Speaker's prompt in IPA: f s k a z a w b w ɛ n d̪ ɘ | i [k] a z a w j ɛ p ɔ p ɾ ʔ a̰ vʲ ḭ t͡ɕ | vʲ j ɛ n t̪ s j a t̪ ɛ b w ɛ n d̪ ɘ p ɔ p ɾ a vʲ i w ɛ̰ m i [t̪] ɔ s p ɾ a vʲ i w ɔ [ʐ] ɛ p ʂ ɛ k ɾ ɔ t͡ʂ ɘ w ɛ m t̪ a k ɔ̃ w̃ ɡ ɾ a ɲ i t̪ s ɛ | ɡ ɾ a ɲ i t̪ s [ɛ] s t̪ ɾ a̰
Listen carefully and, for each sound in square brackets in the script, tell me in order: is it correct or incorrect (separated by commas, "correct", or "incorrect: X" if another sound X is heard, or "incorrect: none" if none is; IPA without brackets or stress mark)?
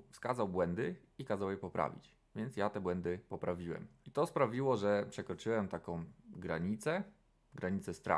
correct, correct, correct, correct